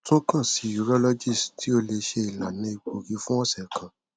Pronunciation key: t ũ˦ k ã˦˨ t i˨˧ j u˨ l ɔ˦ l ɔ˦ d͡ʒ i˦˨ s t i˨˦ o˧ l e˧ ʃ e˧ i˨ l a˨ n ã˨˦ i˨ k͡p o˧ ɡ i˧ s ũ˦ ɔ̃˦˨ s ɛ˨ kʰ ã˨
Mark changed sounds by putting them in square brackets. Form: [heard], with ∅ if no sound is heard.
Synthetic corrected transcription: t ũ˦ k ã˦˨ [s] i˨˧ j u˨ [ɾ] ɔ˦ l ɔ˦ d͡ʒ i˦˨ s t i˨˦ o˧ l e˧ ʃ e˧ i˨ l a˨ n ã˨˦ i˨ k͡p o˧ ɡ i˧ [f] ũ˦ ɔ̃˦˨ s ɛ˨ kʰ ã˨